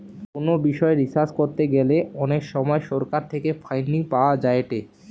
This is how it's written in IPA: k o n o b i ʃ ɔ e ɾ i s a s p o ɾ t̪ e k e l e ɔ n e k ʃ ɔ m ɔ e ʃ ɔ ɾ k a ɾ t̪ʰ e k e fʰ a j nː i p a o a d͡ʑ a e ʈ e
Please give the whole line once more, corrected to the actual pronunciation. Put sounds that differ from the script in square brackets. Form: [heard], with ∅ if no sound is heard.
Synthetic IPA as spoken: k o n o b i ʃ ɔ e ɾ i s a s [k] o ɾ t̪ e [ɡ] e l e ɔ n e k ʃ ɔ m ɔ e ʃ ɔ ɾ k a ɾ t̪ʰ e k e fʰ a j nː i p a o a d͡ʑ a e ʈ e